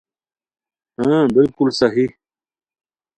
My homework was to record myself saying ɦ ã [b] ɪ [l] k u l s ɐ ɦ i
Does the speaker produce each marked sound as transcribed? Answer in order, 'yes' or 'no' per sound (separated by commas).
yes, yes